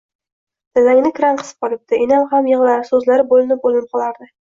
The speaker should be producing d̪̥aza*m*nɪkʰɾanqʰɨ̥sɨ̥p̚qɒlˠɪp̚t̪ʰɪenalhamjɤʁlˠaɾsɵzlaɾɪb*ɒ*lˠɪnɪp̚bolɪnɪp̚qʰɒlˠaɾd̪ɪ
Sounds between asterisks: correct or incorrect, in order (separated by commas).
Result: incorrect, incorrect